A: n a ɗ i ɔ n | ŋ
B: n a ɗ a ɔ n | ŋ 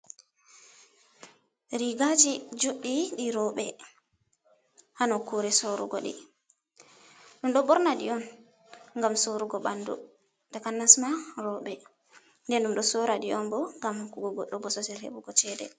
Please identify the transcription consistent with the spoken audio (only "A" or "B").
A